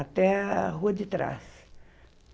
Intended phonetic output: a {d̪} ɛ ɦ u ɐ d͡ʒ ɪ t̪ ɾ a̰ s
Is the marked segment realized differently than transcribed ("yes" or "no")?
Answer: yes